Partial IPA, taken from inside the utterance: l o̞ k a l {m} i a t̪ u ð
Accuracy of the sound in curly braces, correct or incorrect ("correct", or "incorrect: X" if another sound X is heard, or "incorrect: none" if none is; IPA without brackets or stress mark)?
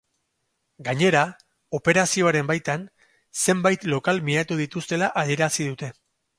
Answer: correct